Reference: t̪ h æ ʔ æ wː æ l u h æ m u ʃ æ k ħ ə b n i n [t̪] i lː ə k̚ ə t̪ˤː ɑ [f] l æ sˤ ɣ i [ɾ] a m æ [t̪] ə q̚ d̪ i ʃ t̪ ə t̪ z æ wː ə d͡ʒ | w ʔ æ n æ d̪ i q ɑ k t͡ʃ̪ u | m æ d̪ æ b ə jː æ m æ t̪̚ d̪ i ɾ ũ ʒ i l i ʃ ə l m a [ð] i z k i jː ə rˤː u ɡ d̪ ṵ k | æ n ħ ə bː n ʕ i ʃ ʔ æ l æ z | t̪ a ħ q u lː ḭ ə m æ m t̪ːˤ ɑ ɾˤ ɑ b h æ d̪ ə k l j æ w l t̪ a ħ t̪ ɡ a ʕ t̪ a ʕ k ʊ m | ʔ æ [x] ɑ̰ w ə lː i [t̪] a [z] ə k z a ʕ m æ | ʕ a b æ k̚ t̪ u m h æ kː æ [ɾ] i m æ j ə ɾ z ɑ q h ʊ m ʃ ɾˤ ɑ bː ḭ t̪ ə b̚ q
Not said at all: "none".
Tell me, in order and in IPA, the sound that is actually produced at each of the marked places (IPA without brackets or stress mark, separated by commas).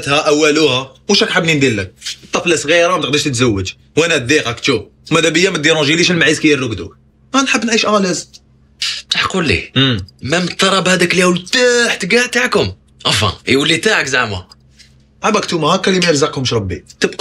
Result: d̪, f, ɾ, t̪, ʕ, f, t̪, ʕ, l